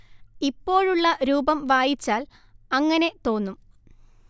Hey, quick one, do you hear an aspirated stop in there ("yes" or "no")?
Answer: no